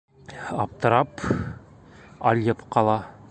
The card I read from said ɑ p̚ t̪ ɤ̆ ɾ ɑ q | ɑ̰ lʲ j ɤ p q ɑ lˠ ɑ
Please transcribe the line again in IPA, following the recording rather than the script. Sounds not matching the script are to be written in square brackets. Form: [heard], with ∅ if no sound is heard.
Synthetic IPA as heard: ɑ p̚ t̪ ɤ̆ ɾ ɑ [p] | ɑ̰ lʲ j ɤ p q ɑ lˠ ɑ